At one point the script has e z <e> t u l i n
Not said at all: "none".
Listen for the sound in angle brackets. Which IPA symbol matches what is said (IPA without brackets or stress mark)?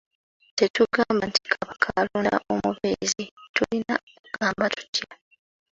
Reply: i